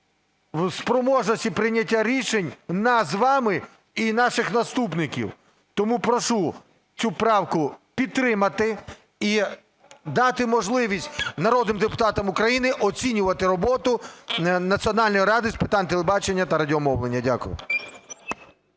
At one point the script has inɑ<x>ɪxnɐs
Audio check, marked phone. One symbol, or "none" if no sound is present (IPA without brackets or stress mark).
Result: ʃ